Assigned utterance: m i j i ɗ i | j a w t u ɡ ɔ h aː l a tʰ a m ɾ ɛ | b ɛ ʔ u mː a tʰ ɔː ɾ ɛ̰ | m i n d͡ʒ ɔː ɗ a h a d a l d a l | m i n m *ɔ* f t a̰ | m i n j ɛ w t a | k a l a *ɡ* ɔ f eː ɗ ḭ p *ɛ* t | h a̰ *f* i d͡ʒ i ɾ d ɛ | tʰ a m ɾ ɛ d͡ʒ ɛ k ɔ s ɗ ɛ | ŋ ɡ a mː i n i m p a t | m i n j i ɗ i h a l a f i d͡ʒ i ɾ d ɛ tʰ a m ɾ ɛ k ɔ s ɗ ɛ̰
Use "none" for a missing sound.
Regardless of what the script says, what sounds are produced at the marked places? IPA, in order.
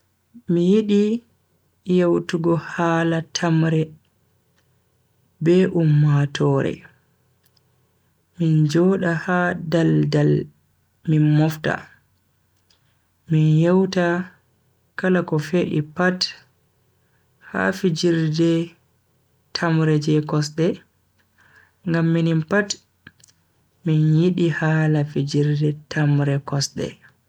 ɔ, k, a, f

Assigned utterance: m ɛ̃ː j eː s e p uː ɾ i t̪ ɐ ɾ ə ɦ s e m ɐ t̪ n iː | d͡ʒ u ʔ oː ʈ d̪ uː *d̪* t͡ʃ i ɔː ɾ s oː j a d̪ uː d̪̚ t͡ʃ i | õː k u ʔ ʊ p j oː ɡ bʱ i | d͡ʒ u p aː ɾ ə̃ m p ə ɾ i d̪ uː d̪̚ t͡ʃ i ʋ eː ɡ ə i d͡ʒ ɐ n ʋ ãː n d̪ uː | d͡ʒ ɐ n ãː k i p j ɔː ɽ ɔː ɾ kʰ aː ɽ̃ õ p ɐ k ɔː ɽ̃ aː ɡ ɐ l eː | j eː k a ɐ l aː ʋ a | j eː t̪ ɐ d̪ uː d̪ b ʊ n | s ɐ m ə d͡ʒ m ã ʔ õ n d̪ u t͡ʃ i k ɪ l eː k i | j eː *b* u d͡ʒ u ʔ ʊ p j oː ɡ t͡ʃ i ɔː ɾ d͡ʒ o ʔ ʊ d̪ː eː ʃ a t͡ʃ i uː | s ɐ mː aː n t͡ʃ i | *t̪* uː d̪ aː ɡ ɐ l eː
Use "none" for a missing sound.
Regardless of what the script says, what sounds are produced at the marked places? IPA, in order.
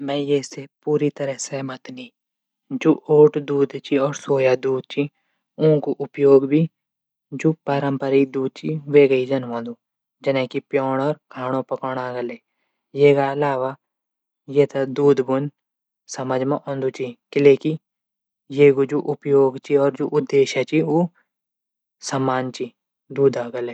d̪, ɡ, d̪

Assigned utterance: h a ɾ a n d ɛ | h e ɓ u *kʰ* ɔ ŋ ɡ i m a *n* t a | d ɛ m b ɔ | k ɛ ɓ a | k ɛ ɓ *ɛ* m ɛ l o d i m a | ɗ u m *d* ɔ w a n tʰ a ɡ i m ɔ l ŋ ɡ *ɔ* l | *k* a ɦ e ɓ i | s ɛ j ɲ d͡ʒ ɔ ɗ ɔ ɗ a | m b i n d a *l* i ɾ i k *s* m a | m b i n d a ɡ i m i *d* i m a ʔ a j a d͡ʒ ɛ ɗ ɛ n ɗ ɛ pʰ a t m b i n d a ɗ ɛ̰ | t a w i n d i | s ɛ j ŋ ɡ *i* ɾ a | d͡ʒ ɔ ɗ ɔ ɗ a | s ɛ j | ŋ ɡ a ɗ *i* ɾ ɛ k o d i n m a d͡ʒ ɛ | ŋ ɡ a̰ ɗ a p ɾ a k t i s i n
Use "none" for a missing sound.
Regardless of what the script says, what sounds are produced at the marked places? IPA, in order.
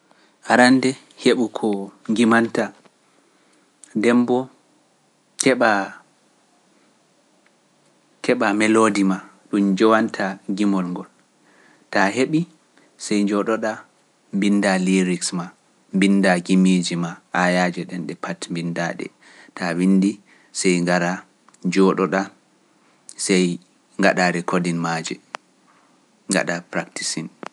kʰ, n, a, d͡ʒ, ɔ, t, l, s, d͡ʒ, a, a

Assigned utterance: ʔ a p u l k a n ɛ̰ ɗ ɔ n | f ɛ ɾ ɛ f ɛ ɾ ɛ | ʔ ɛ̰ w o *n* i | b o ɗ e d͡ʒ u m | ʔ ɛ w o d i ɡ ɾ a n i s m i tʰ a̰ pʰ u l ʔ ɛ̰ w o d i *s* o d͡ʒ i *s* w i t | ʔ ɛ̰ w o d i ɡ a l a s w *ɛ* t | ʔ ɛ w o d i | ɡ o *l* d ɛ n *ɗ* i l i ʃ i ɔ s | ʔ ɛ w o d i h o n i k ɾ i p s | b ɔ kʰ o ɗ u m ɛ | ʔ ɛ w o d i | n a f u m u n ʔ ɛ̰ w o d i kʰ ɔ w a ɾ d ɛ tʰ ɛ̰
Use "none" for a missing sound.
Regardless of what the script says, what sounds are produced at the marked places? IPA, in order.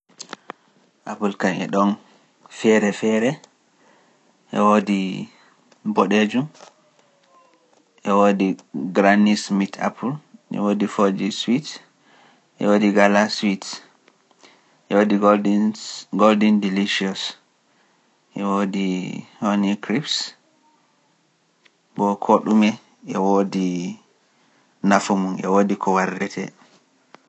d, f, s, i, l, d

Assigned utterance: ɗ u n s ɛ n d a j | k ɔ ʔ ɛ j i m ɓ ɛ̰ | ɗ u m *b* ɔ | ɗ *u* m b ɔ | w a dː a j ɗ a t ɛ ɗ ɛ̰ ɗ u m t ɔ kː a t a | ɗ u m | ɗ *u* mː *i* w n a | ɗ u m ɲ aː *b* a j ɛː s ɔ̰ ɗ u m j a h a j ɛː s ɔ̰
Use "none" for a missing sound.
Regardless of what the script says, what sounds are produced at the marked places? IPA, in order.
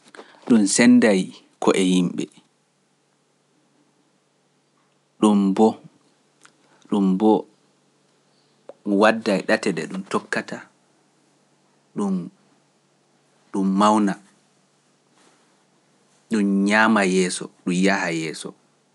b, u, u, a, m

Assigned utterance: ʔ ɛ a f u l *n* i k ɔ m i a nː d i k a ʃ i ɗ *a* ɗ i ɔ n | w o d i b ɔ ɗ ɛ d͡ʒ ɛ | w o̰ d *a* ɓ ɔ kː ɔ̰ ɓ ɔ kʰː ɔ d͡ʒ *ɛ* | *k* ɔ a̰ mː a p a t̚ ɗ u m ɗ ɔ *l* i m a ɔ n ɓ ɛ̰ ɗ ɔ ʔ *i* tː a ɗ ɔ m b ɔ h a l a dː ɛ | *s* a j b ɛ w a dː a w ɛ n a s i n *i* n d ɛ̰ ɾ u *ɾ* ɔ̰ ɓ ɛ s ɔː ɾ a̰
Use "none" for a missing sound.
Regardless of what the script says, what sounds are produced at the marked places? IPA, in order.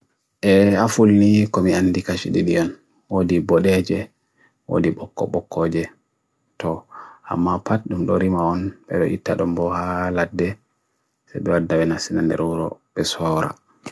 n, i, i, ɛ, t, ɾ, i, s, a, ɾ

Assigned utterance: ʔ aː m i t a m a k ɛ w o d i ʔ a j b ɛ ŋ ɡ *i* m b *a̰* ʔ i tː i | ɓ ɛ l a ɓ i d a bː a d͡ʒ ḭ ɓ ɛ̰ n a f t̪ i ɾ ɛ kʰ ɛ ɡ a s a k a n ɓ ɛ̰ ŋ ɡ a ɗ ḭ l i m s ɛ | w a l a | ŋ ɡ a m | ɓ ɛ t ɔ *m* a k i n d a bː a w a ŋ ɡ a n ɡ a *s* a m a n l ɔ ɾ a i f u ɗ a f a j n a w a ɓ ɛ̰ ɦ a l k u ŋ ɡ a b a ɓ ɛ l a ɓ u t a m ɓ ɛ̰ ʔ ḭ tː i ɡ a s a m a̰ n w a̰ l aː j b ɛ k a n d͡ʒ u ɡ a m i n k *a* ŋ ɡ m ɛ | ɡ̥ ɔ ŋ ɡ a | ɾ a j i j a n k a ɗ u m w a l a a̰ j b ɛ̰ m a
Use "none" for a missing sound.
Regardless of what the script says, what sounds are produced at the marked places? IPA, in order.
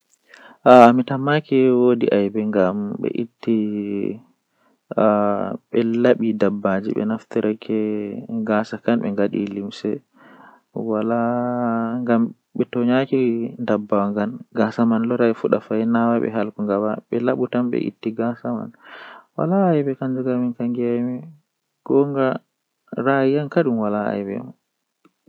a, ɛ̰, ɲ, s, a

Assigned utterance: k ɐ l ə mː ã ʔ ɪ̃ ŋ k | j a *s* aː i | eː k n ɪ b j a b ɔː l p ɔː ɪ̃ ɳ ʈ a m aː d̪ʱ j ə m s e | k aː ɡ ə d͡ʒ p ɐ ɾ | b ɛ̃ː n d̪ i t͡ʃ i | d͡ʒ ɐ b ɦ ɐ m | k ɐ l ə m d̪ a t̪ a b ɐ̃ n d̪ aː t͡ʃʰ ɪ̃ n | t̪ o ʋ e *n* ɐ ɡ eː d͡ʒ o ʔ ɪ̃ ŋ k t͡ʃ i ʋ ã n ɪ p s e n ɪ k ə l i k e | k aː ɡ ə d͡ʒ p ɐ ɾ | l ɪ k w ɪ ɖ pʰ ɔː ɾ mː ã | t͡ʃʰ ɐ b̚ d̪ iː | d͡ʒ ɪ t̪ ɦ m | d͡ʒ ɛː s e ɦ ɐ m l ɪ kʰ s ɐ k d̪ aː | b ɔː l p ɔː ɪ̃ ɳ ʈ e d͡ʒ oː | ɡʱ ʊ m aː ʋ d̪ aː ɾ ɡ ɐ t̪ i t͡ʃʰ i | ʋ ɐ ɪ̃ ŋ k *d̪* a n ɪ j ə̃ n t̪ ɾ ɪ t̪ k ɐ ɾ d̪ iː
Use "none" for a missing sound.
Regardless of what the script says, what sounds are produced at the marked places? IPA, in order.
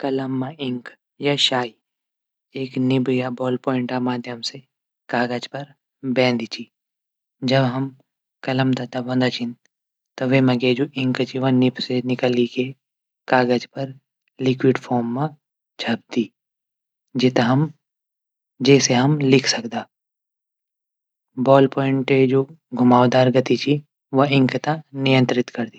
ʃ, m, t̪

